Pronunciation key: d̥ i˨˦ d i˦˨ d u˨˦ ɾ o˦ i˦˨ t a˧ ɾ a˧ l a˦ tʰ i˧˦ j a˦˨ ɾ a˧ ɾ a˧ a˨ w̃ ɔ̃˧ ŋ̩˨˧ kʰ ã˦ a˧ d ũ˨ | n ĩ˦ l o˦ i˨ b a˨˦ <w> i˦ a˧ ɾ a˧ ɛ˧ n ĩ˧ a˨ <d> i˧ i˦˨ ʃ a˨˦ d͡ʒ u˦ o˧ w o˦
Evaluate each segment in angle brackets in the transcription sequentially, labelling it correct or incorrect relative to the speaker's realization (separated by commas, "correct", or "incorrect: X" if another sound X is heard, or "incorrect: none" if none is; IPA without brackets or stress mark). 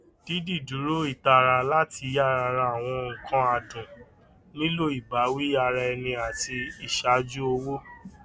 correct, incorrect: t